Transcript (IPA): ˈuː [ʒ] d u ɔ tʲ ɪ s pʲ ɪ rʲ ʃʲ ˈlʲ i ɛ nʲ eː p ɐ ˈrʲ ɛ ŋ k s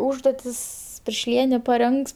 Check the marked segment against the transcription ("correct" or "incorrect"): correct